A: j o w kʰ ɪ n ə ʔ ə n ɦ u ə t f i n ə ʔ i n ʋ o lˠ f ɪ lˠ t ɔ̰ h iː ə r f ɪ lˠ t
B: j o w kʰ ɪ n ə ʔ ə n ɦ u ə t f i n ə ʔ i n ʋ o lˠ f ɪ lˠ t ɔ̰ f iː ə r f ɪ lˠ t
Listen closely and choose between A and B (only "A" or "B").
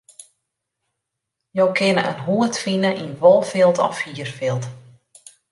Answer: B